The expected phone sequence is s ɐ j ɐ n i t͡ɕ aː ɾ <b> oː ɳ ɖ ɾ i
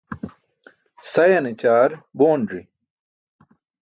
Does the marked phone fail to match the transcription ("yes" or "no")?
no